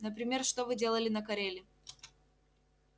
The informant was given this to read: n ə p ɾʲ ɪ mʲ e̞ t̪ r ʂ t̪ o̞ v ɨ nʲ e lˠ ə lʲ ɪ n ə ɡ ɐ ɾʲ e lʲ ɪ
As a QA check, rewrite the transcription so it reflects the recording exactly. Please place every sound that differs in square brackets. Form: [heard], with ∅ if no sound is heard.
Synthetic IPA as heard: n ə p ɾʲ ɪ mʲ e̞ [∅] r ʂ t̪ o̞ v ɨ [dʲ] e lˠ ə lʲ ɪ n ə [k] ɐ ɾʲ e lʲ ɪ